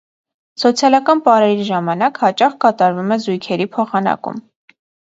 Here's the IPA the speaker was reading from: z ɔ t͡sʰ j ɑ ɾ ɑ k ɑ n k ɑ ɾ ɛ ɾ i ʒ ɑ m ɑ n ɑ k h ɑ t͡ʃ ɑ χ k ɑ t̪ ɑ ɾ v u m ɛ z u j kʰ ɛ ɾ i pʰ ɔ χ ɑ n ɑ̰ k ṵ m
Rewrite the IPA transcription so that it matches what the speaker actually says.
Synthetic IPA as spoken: s ɔ t͡sʰ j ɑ l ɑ k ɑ n p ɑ ɾ ɛ ɾ i ʒ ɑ m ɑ n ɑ k h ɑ t͡ʃ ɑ χ k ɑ t̪ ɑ ɾ v u m ɛ z u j kʰ ɛ ɾ i pʰ ɔ χ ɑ n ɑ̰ k ṵ m